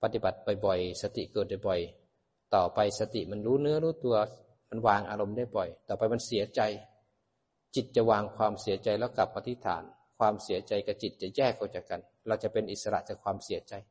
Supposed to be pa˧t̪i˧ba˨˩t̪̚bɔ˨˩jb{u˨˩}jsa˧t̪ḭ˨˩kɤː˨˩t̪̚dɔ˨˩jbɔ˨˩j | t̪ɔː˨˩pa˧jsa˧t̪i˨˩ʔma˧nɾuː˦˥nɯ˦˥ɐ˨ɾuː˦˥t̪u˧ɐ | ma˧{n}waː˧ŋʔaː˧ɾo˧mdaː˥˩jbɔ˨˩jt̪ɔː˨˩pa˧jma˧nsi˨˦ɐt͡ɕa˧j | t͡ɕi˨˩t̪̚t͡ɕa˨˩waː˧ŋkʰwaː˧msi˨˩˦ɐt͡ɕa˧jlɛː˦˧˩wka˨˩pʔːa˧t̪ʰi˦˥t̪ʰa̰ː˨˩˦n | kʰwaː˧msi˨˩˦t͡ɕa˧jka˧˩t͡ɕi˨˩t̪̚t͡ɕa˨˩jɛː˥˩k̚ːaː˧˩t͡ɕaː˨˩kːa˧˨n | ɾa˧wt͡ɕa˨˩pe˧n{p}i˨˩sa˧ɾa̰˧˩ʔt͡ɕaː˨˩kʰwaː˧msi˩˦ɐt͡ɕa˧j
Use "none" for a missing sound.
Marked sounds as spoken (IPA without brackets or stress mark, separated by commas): ɔ˨˩, n, ʔ